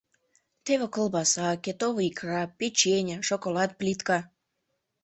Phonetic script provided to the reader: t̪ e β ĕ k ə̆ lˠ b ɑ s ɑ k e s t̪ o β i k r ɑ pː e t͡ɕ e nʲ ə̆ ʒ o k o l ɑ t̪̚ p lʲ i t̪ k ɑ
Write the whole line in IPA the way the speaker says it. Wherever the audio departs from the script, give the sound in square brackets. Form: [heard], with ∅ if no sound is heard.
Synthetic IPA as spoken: t̪ e β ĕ k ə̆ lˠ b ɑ s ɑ k e [∅] t̪ o β i k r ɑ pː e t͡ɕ e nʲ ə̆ [ʃ] o k o l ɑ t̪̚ p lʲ i t̪ k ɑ